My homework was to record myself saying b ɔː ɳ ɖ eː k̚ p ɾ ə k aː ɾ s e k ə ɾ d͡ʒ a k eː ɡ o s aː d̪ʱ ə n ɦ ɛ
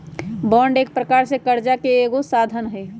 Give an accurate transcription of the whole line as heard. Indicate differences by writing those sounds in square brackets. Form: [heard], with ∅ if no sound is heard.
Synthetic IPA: b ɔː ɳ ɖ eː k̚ p ɾ ə k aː ɾ s e k ə ɾ d͡ʒ a k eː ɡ o s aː d̪ʱ ə n ɦ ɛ